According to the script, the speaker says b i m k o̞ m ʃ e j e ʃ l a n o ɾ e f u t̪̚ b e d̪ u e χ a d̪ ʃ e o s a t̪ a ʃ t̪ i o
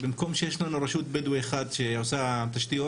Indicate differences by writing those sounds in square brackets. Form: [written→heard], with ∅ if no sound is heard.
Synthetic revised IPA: b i m k o̞ m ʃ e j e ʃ l a n [o→u] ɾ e [f→ʃ] u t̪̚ b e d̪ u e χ a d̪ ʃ e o s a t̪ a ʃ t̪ i o